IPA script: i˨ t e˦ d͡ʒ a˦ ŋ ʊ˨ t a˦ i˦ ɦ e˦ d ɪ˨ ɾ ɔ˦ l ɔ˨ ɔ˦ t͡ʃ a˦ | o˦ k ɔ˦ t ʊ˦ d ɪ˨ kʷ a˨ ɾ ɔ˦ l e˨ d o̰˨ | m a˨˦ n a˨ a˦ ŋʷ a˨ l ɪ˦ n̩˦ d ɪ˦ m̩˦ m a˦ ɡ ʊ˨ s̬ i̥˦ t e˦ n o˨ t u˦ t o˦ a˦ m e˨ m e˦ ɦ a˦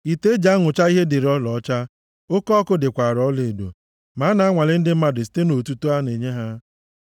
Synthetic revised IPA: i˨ t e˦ d͡ʒ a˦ ŋ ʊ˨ t͡ʃ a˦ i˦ ɦ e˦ d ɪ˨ ɾ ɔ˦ l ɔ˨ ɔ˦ t͡ʃ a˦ | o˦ k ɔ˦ k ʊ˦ d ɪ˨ kʷ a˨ ɾ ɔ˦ l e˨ d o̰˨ | m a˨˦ n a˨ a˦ ŋʷ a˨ l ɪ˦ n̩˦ d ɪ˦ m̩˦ m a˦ d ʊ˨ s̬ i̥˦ t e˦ n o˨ t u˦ t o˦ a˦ n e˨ ɲ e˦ ɦ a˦